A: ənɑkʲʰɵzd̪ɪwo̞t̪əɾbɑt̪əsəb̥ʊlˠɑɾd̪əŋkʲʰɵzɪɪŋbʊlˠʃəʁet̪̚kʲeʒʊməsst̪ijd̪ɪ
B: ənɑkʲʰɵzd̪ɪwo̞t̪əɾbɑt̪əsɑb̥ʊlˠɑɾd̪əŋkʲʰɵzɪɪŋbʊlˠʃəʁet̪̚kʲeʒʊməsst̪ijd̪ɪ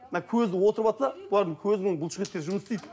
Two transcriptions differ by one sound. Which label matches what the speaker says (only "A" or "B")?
B